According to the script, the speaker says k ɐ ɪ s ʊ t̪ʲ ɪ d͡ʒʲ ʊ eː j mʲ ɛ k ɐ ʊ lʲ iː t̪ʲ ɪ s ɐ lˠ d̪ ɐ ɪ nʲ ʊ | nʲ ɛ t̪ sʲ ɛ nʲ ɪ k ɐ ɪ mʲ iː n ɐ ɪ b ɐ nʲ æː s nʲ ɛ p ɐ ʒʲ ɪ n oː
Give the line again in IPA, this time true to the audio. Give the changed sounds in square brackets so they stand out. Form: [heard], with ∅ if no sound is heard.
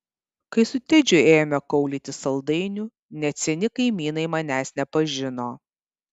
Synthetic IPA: k ɐ ɪ s ʊ t̪ʲ ɪ d͡ʒʲ ʊ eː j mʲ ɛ k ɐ ʊ lʲ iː t̪ʲ ɪ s ɐ lˠ d̪ ɐ ɪ nʲ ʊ | nʲ ɛ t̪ sʲ ɛ nʲ ɪ k ɐ ɪ mʲ iː n ɐ ɪ [m] ɐ nʲ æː s nʲ ɛ p ɐ ʒʲ ɪ n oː